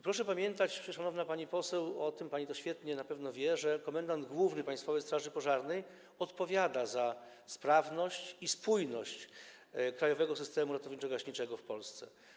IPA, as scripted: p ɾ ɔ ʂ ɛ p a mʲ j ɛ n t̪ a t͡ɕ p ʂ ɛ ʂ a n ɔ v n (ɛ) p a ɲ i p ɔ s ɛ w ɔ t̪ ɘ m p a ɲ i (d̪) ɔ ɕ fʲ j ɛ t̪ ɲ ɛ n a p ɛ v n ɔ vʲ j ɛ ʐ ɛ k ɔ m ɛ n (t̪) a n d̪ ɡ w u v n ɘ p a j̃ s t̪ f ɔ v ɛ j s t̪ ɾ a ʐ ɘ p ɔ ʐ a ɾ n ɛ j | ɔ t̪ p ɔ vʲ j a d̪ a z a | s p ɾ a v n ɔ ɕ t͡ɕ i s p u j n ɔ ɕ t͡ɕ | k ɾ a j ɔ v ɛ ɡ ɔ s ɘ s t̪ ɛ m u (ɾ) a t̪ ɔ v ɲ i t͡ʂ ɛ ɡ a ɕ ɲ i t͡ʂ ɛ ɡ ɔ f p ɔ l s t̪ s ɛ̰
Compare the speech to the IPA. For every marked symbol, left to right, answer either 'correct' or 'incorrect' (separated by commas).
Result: incorrect, incorrect, incorrect, correct